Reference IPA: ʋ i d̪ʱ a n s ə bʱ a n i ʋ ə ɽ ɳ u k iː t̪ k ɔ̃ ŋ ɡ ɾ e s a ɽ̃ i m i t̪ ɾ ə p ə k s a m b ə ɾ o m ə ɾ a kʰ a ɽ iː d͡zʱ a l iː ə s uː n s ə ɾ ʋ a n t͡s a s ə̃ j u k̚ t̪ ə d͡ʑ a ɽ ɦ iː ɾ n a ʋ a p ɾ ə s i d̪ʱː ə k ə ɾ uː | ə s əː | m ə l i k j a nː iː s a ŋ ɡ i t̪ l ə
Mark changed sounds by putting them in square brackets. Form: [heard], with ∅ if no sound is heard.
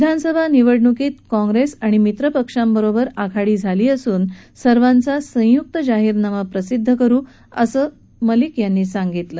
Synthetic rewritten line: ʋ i d̪ʱ a n s ə bʱ a n i ʋ ə ɽ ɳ u k iː t̪ k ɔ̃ ŋ ɡ ɾ e s a ɽ̃ i m i t̪ ɾ ə p ə k [ʂ] a m b ə ɾ o [b] ə ɾ a kʰ a ɽ iː d͡zʱ a l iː ə s uː n s ə ɾ ʋ a n t͡s a s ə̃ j u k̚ t̪ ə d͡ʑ a [∅] ɦ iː ɾ n a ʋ a p ɾ ə s i d̪ʱː ə k ə ɾ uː | ə s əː | m ə l i k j a nː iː s a ŋ ɡ i t̪ l ə